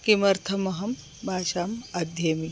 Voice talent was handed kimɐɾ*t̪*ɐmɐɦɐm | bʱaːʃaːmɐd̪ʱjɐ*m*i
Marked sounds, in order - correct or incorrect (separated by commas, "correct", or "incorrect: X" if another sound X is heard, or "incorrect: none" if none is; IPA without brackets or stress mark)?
incorrect: t̪ʰ, correct